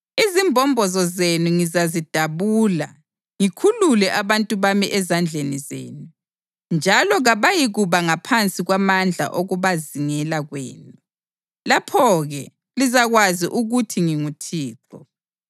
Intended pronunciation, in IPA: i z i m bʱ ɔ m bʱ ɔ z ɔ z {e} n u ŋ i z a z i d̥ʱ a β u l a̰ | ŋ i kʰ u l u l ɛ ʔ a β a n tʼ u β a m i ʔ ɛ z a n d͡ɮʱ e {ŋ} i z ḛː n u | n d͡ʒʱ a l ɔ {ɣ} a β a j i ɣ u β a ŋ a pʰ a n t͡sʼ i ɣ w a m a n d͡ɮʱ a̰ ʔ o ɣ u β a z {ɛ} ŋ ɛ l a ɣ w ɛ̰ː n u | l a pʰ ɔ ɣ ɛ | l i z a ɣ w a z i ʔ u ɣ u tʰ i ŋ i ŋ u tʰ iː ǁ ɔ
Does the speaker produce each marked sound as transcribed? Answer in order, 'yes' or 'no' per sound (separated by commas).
yes, no, yes, no